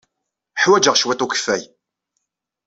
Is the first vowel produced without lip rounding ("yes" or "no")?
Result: yes